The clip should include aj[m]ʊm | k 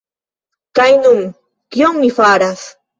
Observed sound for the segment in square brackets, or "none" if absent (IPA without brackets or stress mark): n